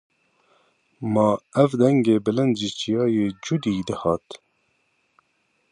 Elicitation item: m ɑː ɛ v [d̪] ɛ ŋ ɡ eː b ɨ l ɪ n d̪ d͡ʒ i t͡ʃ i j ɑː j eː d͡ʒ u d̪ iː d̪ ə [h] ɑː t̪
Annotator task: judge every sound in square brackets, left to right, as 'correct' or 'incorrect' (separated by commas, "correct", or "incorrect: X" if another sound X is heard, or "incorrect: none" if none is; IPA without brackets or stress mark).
correct, correct